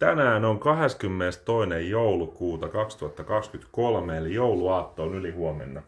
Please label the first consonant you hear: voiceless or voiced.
voiceless